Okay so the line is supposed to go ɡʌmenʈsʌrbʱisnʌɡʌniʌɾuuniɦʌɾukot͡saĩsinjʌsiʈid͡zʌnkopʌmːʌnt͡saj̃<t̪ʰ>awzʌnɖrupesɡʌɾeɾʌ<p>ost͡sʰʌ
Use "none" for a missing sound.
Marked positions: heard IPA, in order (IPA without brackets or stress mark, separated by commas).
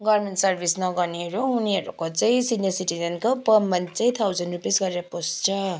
t̪ʰ, p